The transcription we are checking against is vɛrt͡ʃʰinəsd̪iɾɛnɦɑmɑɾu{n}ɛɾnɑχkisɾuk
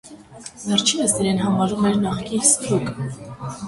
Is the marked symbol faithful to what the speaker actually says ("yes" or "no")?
no